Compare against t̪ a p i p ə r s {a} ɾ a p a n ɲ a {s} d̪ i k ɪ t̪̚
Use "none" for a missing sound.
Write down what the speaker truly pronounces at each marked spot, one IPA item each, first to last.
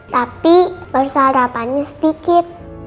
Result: a, s

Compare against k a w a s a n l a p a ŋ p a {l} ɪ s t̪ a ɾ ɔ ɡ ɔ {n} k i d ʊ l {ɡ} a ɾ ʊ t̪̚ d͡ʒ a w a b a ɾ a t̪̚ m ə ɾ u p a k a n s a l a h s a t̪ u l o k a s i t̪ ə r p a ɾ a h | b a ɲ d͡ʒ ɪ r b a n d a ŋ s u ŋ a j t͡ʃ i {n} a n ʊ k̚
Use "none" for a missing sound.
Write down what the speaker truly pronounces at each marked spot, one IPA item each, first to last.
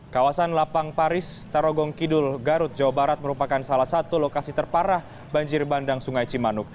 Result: ɾ, ŋ, ɡ, m

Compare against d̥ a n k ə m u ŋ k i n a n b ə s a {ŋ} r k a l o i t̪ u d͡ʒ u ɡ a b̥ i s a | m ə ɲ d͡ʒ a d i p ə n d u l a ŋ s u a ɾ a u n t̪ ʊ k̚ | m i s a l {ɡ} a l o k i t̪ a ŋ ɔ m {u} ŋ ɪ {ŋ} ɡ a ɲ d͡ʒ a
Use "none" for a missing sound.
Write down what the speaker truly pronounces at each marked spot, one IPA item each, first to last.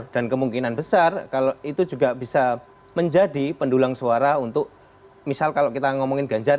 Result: none, k, ɔ, n

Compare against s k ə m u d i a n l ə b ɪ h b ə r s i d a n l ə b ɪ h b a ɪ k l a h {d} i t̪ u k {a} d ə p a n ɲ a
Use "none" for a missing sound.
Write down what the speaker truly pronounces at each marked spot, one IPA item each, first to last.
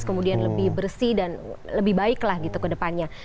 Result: ɡ, ə

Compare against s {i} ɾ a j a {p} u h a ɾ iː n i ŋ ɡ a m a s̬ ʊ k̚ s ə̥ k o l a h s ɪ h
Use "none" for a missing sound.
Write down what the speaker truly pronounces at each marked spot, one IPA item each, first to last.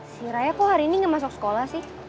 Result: i, k

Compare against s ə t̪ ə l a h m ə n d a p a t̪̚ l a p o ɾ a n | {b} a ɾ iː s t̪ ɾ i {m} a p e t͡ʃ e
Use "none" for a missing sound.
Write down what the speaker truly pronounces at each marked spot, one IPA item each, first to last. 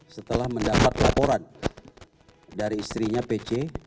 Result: d, ɲ

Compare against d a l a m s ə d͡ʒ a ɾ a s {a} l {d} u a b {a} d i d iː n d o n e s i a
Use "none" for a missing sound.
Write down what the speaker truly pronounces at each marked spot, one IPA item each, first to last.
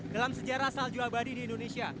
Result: a, d͡ʒ, a

